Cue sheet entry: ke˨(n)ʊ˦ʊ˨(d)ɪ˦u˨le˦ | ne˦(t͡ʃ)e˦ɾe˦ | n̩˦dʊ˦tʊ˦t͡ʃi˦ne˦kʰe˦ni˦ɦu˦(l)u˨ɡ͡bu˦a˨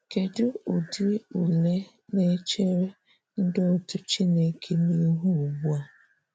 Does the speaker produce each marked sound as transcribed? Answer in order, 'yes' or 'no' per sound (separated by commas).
no, yes, yes, no